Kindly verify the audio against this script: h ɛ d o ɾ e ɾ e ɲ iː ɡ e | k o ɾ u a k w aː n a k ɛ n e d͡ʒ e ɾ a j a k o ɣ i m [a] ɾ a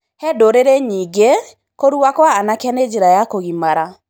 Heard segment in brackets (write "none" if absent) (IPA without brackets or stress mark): a